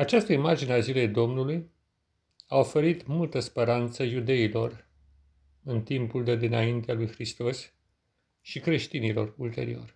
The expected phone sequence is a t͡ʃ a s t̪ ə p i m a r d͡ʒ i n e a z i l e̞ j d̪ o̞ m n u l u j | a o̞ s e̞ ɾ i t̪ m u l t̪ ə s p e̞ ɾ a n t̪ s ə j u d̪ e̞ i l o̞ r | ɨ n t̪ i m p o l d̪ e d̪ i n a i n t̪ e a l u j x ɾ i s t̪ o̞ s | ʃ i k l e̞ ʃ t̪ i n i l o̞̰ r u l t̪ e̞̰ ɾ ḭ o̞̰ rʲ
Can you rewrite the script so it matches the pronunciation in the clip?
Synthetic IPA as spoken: a t͡ʃ a s t̪ ə i m a r d͡ʒ i n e a z i l e̞ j d̪ o̞ m n u l u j | a o̞ f e̞ ɾ i t̪ m u l t̪ ə s p e̞ ɾ a n t̪ s ə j u d̪ e̞ i l o̞ r | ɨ n t̪ i m p u l d̪ e d̪ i n a i n t̪ e a l u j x ɾ i s t̪ o̞ s | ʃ i k ɾ e̞ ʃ t̪ i n i l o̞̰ r u l t̪ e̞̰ ɾ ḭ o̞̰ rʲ